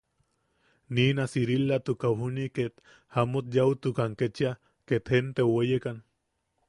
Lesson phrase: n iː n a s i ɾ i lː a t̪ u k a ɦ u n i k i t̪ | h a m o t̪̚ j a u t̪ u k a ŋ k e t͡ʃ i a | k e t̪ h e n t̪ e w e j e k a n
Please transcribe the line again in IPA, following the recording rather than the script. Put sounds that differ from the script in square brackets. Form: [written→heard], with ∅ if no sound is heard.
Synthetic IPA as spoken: n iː n a s i ɾ i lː a t̪ u k a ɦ u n i k [i→e] t̪ | h a m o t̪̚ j a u t̪ u k a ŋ k e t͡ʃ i a | k e t̪ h e n t̪ e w e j e k a n